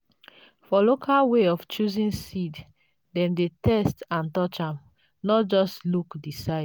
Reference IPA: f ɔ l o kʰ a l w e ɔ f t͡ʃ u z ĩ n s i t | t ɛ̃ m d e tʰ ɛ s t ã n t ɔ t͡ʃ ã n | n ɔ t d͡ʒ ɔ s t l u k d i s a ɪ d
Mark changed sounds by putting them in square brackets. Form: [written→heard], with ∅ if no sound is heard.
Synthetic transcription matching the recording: f ɔ l o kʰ a l w e ɔ f t͡ʃ u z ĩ n s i [t→d] | [t→d] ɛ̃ m d e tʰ ɛ s t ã n t ɔ t͡ʃ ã [n→m] | n ɔ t d͡ʒ ɔ s t l u k d i s a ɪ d